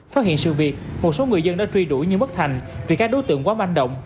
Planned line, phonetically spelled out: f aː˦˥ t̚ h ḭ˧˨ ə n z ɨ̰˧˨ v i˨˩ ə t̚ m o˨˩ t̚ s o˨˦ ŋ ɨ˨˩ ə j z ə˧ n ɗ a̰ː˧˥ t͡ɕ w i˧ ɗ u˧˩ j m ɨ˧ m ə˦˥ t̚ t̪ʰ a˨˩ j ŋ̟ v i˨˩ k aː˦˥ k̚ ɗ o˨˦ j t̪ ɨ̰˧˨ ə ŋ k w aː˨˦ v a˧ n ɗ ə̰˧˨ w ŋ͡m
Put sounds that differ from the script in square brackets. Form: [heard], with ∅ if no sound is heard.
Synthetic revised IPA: f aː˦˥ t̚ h ḭ˧˨ ə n [s] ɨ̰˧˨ v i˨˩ ə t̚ m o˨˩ t̚ s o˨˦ ŋ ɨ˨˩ ə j z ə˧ n ɗ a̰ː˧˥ t͡ɕ w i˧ ɗ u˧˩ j [ɲ] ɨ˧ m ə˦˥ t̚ t̪ʰ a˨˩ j ŋ̟ v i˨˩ k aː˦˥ k̚ ɗ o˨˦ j t̪ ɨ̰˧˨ ə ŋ k w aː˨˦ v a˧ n ɗ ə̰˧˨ w ŋ͡m